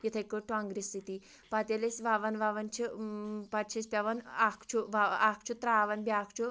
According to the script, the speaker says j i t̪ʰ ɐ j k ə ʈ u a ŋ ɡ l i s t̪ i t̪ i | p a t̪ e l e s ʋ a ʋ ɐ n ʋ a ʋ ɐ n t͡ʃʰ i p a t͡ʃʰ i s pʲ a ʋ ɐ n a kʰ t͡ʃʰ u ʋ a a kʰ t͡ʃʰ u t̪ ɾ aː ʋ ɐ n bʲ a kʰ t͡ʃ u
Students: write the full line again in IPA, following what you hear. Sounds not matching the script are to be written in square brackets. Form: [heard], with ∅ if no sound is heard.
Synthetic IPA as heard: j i t̪ʰ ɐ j k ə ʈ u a ŋ ɡ [ɾ] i s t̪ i t̪ i | p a t̪ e l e s ʋ a ʋ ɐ n ʋ a ʋ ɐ n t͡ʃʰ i p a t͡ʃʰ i s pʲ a ʋ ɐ n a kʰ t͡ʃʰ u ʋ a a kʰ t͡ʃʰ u t̪ ɾ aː ʋ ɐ n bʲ a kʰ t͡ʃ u